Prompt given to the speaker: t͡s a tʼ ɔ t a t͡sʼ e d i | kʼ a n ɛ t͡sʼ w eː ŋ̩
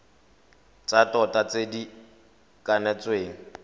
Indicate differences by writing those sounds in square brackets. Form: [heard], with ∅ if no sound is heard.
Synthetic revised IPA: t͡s a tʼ ɔ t a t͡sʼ e d i | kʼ a n ɛ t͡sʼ w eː ŋ̩